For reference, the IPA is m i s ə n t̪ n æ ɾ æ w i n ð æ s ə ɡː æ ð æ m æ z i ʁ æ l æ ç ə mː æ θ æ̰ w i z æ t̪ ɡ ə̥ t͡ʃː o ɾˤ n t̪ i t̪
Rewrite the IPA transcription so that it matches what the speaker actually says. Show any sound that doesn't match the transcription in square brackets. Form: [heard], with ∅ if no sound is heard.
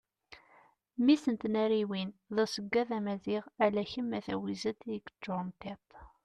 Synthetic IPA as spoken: m i s ə n t̪ n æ ɾ [i] w i n ð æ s ə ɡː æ ð æ m æ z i ʁ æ l æ ç ə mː æ θ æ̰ w i z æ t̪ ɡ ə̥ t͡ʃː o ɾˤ n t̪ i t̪